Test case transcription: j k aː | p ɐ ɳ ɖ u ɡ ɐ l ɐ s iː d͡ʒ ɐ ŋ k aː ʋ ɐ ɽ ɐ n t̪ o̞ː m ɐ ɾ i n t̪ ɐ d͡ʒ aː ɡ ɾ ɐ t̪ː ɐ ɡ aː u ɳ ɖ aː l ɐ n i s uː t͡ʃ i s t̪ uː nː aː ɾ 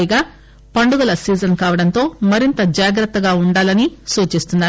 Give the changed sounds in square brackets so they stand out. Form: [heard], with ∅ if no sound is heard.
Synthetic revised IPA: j [ɡ] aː | p ɐ ɳ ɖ u ɡ ɐ l ɐ s iː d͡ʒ ɐ [n] k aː ʋ ɐ ɽ ɐ n t̪ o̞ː m ɐ ɾ i n t̪ ɐ d͡ʒ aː ɡ ɾ ɐ t̪ː ɐ ɡ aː u ɳ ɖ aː l ɐ n i s uː t͡ʃ i s t̪ [u] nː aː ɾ